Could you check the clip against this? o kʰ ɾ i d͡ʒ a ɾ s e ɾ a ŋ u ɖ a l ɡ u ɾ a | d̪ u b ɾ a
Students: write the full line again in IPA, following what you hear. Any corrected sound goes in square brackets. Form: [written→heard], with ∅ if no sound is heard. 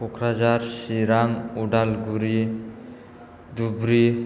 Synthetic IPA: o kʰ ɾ [i→a] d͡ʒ a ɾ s [e→i] ɾ a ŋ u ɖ a l ɡ u ɾ [a→i] | d̪ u b ɾ [a→i]